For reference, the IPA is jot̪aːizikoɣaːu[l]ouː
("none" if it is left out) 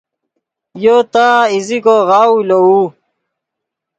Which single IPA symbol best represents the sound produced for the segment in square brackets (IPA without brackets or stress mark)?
l